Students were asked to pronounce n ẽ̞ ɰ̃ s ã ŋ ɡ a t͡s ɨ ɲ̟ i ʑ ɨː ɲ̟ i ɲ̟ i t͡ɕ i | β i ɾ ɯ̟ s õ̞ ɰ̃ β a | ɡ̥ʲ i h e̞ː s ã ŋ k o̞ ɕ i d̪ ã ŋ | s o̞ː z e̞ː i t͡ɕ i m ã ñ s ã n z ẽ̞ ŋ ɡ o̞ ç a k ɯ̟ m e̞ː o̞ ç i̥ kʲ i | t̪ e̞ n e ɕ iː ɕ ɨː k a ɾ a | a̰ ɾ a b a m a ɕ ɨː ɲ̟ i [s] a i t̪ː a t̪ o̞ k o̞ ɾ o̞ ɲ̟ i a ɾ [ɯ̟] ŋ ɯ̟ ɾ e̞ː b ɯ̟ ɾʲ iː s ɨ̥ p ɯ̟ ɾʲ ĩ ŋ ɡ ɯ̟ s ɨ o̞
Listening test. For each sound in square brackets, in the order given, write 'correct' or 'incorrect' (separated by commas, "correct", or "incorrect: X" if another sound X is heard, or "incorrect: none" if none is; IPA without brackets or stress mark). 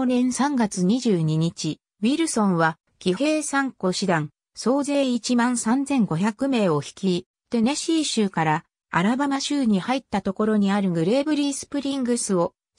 incorrect: h, correct